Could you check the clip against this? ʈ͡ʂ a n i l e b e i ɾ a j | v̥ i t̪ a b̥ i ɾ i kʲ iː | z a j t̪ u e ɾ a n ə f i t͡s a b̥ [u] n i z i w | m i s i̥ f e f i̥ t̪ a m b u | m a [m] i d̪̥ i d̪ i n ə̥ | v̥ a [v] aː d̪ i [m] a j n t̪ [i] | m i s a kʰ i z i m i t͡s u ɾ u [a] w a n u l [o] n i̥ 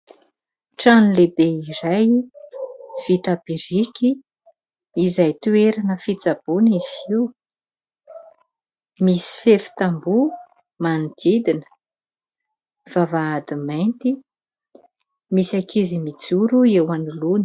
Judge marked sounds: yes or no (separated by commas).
yes, no, yes, yes, yes, no, no